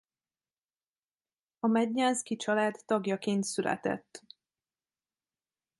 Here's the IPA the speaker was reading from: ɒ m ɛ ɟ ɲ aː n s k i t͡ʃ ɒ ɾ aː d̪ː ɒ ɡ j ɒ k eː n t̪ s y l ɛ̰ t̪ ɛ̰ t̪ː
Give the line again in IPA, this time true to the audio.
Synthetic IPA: ɒ m ɛ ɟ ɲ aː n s k i t͡ʃ ɒ l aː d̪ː ɒ ɡ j ɒ k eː n t̪ s y l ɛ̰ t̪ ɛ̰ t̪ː